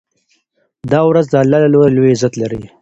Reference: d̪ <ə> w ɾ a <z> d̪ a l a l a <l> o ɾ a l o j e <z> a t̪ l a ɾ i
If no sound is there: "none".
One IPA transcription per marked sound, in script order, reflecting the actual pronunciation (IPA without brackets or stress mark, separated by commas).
ɑ, z, l, z